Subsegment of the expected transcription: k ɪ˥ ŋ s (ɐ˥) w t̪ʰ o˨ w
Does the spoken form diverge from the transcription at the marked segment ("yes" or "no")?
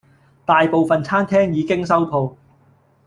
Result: no